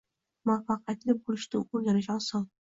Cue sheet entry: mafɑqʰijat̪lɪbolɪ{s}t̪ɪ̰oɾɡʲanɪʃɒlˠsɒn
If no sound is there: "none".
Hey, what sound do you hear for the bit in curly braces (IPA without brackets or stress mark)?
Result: ʃ